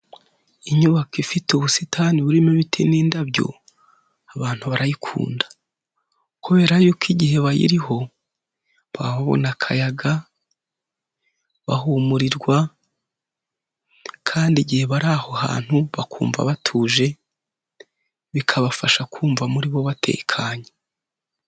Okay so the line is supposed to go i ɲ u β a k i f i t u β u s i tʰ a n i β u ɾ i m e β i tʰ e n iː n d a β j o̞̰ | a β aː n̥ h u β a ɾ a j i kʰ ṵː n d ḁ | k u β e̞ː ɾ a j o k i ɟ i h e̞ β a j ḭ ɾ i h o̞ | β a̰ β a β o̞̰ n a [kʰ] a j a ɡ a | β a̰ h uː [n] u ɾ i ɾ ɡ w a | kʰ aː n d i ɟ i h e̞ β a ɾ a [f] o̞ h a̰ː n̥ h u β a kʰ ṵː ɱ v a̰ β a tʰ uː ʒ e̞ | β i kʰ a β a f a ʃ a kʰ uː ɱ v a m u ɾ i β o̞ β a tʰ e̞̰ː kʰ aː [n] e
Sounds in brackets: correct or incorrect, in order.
correct, incorrect: m, incorrect: h, incorrect: ɲ

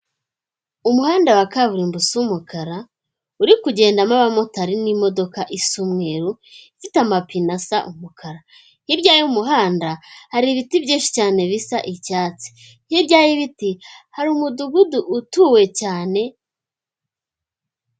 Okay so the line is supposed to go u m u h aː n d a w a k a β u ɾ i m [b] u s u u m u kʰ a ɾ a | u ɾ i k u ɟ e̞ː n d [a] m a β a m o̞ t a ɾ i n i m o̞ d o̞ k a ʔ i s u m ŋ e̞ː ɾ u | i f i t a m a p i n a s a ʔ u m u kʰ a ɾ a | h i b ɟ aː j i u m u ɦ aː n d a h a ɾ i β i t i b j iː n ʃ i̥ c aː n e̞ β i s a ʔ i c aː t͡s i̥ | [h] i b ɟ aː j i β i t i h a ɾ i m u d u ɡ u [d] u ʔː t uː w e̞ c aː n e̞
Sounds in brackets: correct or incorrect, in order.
correct, correct, correct, correct

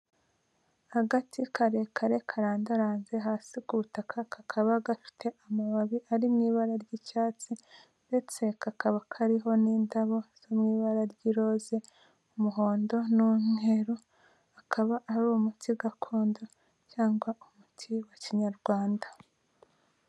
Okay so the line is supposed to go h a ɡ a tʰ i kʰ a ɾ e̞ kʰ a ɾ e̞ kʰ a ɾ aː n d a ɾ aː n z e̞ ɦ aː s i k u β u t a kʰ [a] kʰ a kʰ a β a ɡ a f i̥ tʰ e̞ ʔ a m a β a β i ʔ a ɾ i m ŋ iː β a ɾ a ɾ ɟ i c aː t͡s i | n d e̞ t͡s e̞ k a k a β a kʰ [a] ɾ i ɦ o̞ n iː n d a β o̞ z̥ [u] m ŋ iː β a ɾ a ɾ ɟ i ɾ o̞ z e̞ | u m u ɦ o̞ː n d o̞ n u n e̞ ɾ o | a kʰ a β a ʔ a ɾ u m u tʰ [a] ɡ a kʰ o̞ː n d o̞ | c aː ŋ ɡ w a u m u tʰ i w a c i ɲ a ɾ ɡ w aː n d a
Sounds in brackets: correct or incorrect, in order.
correct, correct, incorrect: o, incorrect: i

